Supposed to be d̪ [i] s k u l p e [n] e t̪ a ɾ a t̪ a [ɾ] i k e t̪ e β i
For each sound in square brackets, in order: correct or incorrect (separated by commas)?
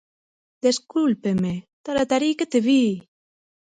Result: incorrect, incorrect, correct